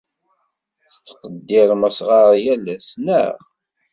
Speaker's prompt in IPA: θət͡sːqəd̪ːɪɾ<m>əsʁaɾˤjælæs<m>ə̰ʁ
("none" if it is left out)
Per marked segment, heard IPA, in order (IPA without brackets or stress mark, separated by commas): m, n